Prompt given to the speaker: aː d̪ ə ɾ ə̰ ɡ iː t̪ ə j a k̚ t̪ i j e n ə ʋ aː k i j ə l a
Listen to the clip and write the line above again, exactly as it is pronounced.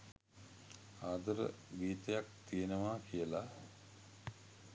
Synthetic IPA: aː d̪ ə ɾ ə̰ ɡ iː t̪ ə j a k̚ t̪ i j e n ə ʋ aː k i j ə l a

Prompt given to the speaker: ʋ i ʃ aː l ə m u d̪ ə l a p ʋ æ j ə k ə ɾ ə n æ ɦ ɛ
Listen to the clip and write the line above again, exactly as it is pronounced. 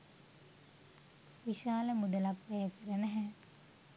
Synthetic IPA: ʋ i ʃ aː l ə m u d̪ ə l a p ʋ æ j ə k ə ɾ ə n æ ɦ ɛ

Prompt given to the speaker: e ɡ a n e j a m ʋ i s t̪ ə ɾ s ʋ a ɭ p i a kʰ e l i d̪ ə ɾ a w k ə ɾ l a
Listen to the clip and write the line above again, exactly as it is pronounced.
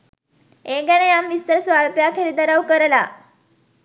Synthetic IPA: e ɡ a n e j a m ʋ i s t̪ ə ɾ s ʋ a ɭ p j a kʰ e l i d̪ ə ɾ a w k ə ɾ l a

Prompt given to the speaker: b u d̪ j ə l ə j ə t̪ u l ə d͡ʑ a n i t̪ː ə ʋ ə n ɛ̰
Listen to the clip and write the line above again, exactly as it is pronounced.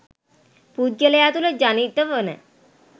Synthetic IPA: p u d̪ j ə l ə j a t̪ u l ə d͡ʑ a n i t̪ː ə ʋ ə n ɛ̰

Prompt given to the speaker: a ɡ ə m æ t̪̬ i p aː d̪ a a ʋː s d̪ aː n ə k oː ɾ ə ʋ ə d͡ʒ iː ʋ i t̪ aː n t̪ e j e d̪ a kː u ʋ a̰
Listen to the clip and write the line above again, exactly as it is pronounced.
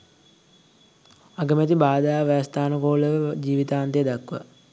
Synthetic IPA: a ɡ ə m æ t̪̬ i b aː d̪ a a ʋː s t̪ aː n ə k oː l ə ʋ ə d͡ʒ iː ʋ i t̪ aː n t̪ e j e d̪ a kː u ʋ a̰

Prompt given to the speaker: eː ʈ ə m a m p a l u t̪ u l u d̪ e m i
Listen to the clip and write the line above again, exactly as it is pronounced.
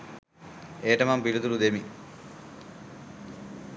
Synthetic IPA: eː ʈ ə m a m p i l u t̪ u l u d̪ e m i

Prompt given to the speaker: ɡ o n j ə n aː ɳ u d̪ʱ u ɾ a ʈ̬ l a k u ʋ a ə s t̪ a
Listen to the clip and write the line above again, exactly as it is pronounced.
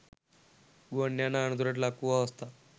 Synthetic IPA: ɡ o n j a n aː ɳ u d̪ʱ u ɾ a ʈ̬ l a k u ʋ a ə s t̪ a

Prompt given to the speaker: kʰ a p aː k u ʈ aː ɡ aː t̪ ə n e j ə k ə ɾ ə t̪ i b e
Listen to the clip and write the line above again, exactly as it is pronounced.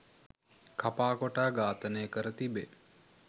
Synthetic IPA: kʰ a p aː k o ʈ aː ɡ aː t̪ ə n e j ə k ə ɾ ə t̪ i b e

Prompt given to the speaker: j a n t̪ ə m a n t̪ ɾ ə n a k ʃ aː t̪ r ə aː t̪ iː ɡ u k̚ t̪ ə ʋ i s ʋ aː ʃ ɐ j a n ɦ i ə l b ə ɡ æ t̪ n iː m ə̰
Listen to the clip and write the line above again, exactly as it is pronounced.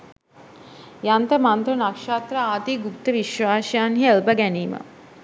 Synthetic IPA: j a n t̪ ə m a n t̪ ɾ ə n a k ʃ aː t̪ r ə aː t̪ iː ɡ u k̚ t̪ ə ʋ i ʃ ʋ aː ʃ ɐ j a n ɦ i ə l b ə ɡ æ n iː m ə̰

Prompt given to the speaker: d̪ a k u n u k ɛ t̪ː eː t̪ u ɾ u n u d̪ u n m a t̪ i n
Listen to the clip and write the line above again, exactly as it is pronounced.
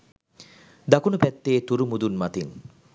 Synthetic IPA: d̪ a k u n u p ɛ t̪ː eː t̪ u ɾ u m u d̪ u n m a t̪ i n

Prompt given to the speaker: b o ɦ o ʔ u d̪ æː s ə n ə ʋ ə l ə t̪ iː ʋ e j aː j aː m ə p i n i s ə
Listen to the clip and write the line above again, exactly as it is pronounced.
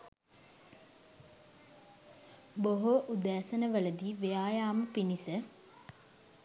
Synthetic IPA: b o ɦ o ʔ u d̪ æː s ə n ə ʋ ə l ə d̪ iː ʋ e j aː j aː m ə p i n i s ə

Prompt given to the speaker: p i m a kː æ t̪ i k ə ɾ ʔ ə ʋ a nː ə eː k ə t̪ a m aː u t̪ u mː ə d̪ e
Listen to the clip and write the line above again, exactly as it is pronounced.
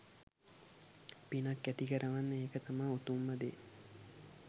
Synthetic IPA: p i n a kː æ t̪ i k ə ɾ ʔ ə ʋ a nː ə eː k ə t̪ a m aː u t̪ u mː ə d̪ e

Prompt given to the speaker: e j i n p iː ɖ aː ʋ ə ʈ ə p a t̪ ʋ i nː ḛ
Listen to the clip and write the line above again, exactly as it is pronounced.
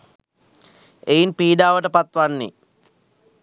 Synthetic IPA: e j i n p iː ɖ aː ʋ ə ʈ ə p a t̪ ʋ a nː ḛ

